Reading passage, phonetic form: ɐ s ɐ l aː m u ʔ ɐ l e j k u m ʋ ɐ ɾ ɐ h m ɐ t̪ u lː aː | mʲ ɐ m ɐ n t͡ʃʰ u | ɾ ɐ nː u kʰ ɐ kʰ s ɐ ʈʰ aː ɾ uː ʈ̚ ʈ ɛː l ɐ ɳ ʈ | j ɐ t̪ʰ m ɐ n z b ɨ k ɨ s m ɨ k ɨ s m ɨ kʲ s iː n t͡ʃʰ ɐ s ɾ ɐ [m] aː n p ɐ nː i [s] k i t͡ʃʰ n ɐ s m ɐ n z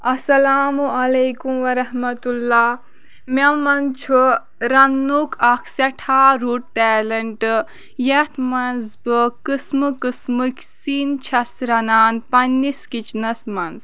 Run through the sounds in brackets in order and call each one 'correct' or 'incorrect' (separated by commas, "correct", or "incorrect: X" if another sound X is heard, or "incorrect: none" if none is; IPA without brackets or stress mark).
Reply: incorrect: n, correct